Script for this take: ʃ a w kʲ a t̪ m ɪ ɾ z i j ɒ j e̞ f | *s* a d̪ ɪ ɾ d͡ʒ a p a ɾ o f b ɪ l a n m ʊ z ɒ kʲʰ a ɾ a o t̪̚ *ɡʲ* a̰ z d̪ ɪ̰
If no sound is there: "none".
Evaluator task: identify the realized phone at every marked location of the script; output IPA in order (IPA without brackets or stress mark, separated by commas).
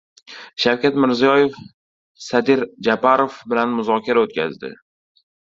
s, kʲ